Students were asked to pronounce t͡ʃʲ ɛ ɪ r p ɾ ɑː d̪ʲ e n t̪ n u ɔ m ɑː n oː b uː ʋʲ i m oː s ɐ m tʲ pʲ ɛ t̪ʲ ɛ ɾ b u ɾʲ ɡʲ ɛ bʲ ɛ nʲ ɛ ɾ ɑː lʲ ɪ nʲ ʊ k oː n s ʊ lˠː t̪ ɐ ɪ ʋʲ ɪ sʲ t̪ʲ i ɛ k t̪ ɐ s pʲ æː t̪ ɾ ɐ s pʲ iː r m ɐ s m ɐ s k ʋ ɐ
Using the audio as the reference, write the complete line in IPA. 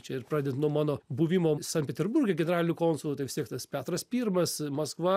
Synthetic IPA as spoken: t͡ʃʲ ɛ ɪ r p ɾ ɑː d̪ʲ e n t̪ n u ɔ m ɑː n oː b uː ʋʲ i m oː s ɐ n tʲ pʲ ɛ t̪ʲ ɛ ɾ b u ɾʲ ɡʲ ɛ ɡʲ ɛ nʲ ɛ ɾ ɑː lʲ ɪ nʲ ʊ k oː n s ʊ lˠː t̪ ɐ ɪ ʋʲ ɪ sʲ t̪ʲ i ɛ k t̪ ɐ s pʲ æː t̪ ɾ ɐ s pʲ iː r m ɐ s m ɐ s k ʋ ɐ

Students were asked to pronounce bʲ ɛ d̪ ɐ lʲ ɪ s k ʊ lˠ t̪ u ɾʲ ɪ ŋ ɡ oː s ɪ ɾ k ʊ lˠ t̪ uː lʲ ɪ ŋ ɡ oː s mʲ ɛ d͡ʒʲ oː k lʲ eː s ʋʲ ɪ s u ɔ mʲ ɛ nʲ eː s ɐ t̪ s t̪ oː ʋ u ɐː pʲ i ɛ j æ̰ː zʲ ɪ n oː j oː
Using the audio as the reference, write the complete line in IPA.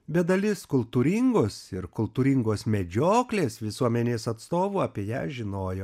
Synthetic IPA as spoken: bʲ ɛ d̪ ɐ lʲ ɪ s k ʊ lˠ t̪ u ɾʲ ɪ ŋ ɡ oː s ɪ ɾ k ʊ lˠ t̪ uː ɾʲ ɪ ŋ ɡ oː s mʲ ɛ d͡ʒʲ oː k lʲ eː s ʋʲ ɪ s u ɔ mʲ ɛ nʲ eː s ɐ t̪ s t̪ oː ʋ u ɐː pʲ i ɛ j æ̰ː ʒʲ ɪ n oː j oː

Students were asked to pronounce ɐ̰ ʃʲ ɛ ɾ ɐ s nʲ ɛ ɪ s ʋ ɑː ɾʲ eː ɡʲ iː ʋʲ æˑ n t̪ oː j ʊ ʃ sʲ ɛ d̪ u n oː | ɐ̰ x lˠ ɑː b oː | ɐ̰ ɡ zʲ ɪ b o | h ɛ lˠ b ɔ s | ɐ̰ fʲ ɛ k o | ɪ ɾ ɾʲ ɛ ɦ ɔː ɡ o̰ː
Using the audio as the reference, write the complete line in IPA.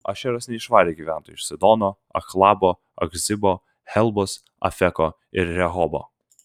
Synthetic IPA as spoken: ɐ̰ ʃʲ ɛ ɾ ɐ s nʲ ɛ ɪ ʃ ʋ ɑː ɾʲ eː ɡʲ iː ʋʲ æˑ n t̪ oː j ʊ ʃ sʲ ɛ d̪ ɔ n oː | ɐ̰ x lˠ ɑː b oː | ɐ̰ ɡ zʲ ɪ b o | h ɛ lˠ b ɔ s | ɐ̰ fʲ ɛ k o | ɪ ɾ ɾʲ ɛ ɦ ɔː b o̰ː

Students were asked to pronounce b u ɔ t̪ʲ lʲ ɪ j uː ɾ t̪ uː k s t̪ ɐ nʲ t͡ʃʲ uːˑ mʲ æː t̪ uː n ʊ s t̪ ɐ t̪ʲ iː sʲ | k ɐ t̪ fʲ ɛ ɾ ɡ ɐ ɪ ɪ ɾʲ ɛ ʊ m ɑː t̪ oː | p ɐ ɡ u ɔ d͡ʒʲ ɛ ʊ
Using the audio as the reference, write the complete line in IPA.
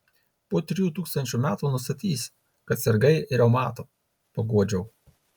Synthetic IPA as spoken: p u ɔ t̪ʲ ɾʲ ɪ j uː t̪ uː k s t̪ ɐ nʲ t͡ʃʲ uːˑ mʲ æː t̪ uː n ʊ s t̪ ɐ t̪ʲ iː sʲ | k ɐ t̪ sʲ ɛ ɾ ɡ ɐ ɪ ɪ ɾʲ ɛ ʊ m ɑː t̪ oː | p ɐ ɡ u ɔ d͡ʒʲ ɛ ʊ

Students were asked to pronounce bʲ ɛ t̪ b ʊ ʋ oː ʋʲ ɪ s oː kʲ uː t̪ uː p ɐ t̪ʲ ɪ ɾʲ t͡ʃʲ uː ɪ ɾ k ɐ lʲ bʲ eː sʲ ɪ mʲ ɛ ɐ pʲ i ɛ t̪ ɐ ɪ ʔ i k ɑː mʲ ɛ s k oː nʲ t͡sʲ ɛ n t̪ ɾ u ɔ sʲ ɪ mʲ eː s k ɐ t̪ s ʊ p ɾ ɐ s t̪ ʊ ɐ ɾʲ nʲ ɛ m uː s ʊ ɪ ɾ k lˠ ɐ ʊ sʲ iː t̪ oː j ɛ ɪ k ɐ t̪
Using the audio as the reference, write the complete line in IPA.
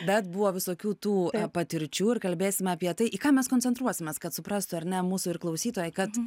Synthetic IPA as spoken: bʲ ɛ t̪ b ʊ ʋ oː ʋʲ ɪ s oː kʲ uː t̪ uː p ɐ t̪ʲ ɪ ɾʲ t͡ʃʲ uː ɪ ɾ k ɐ lʲ bʲ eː sʲ ɪ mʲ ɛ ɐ pʲ i ɛ t̪ ɐ ɪ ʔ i k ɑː mʲ ɛ s k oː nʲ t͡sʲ ɛ n t̪ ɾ u ɔ sʲ ɪ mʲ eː s k ɐ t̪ s ʊ p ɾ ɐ s t̪ ʊ ɐ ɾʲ nʲ ɛ m uː s ʊ ɪ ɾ k lˠ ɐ ʊ sʲ iː t̪ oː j ɛ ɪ k ɐ t̪

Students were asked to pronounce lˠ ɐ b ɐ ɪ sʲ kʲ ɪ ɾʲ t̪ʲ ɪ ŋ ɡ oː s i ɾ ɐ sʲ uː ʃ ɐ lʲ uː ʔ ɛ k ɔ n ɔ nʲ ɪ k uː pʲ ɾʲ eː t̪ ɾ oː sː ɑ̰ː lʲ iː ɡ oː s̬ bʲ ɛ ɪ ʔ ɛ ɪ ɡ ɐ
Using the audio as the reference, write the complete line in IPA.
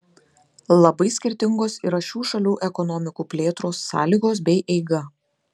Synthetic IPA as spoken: lˠ ɐ b ɐ ɪ sʲ kʲ ɪ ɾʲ t̪ʲ ɪ ŋ ɡ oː s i ɾ ɐ ʃʲ uː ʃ ɐ lʲ uː ʔ ɛ k ɔ n ɔ mʲ ɪ k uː pʲ lʲ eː t̪ ɾ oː sː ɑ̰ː lʲ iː ɡ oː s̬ bʲ ɛ ɪ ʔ ɛ ɪ ɡ ɐ

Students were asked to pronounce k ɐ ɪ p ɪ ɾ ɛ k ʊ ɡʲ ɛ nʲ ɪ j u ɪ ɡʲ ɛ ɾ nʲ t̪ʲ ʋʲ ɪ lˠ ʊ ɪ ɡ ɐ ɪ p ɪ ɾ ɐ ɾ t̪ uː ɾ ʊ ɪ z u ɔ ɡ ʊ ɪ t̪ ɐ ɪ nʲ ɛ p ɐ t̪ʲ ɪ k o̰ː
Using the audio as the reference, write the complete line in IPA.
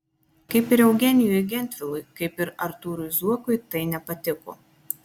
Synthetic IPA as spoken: k ɐ ɪ p ɪ ɾ ɛ ʊ ɡʲ ɛ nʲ ɪ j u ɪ ɡʲ ɛ nʲ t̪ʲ ʋʲ ɪ lˠ ʊ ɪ k ɐ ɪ p ɪ ɾ ɐ ɾ t̪ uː ɾ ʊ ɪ z u ɔ k ʊ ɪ t̪ ɐ ɪ nʲ ɛ p ɐ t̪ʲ ɪ k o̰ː

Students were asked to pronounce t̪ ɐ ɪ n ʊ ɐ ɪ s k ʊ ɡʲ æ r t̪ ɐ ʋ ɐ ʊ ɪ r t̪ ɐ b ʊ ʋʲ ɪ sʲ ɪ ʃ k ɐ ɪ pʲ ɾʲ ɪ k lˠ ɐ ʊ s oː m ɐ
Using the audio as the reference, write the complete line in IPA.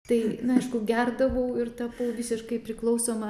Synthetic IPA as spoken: t̪ ɐ ɪ n ʊ ɐ ɪ ʃ k ʊ ɡʲ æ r d̪ ɐ ʋ ɐ ʊ ɪ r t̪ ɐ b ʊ ʋʲ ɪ sʲ ɪ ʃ k ɐ ɪ pʲ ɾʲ ɪ k lˠ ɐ ʊ s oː m ɐ

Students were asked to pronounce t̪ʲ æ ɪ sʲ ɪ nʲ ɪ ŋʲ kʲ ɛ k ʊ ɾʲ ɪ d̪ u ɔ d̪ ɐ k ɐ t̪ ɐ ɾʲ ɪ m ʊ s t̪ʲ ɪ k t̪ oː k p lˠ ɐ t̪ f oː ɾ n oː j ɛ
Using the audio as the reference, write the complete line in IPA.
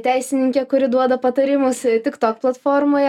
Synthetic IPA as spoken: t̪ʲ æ ɪ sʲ ɪ nʲ ɪ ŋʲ kʲ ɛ k ʊ ɾʲ ɪ d̪ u ɔ d̪ ɐ p ɐ t̪ ɐ ɾʲ ɪ m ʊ s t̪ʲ ɪ k t̪ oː k p lˠ ɐ t̪ f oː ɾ m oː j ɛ

